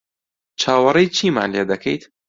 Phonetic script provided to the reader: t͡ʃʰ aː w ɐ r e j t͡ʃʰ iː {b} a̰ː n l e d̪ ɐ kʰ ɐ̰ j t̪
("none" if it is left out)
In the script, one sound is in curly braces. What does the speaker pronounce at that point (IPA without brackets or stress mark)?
m